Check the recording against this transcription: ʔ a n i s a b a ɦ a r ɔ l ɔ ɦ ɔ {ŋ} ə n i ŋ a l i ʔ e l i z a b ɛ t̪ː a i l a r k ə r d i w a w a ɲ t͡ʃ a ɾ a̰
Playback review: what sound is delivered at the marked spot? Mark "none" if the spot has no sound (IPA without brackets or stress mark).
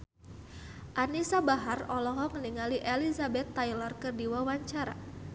ŋ